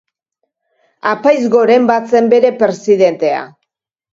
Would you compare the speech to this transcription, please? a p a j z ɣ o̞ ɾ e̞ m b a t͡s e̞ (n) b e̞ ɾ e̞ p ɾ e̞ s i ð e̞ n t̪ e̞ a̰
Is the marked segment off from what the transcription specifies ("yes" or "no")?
yes